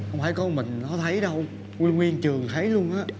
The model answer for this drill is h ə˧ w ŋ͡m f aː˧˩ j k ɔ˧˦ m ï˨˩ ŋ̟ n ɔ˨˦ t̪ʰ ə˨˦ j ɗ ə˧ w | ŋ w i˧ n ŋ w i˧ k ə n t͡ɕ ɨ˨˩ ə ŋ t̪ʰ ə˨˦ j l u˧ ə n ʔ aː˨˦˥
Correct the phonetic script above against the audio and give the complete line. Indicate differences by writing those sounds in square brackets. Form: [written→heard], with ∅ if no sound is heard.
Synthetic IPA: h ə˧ w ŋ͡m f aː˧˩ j k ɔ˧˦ m ï˨˩ ŋ̟ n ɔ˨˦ t̪ʰ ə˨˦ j ɗ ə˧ w | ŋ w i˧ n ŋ w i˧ [k→∅] ə n t͡ɕ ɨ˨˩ ə ŋ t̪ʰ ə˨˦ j l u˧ ə n ʔ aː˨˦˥